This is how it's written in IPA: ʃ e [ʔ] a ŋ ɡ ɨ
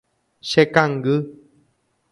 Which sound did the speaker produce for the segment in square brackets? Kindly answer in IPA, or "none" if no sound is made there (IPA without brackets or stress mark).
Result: k